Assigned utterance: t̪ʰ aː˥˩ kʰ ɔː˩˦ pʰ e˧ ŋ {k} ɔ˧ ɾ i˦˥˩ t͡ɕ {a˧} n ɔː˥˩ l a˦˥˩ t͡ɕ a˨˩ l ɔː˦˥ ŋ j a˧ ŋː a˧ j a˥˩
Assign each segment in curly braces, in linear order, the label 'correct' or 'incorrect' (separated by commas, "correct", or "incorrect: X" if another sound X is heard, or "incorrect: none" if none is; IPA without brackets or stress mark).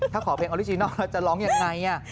incorrect: ʔ, incorrect: i˧